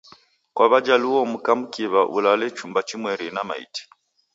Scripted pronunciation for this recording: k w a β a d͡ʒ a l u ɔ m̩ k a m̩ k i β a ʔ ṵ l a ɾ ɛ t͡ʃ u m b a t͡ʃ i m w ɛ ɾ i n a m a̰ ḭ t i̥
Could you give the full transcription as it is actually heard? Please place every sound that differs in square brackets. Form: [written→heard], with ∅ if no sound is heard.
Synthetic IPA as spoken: k w a β a d͡ʒ a l u ɔ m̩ k a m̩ k i β a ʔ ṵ l a [ɾ→l] ɛ t͡ʃ u m b a t͡ʃ i m w ɛ ɾ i n a m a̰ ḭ t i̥